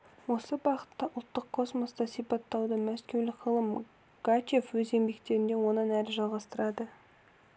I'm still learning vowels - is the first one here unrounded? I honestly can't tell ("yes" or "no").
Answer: no